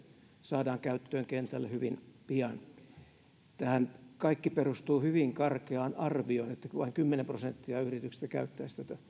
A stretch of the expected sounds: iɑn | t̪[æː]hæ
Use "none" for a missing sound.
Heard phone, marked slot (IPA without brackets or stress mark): æ